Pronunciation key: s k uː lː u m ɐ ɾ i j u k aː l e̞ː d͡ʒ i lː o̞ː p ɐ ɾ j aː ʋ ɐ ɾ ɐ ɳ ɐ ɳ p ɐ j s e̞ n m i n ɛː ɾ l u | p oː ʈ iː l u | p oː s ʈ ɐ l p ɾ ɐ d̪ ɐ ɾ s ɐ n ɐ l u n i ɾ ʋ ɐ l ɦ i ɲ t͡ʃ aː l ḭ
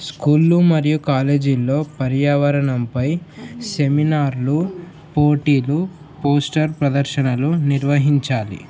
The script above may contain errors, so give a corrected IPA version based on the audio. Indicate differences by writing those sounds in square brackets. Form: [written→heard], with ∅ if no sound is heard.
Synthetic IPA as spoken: s k uː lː u m ɐ ɾ i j u k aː l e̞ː d͡ʒ i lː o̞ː p ɐ ɾ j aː ʋ ɐ ɾ ɐ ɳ ɐ [ɳ→m] p ɐ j s e̞ [n→∅] m i n [ɛː→aː] ɾ l u | p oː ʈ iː l u | p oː s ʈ ɐ [l→ɾ] p ɾ ɐ d̪ ɐ ɾ [s→ʃ] ɐ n ɐ l u n i ɾ ʋ ɐ [l→∅] ɦ i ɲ t͡ʃ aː l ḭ